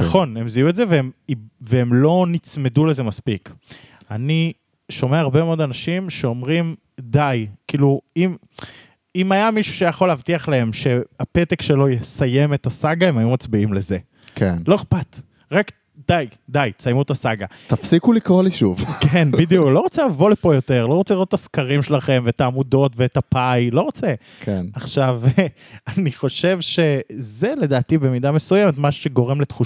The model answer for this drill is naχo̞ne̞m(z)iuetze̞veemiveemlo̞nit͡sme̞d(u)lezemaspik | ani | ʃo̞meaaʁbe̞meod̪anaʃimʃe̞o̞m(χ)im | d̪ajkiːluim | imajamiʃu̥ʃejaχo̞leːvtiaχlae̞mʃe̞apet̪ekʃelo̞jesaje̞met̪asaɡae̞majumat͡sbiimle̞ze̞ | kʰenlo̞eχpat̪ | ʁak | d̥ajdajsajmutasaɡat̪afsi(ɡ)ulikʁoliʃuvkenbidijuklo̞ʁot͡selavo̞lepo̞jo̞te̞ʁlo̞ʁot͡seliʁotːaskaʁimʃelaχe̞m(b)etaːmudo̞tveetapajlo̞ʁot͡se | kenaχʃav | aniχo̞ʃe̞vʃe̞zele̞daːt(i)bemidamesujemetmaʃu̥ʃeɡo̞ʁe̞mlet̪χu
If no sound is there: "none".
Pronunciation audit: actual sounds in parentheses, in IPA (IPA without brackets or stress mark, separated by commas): z, u, ʁ, k, v, i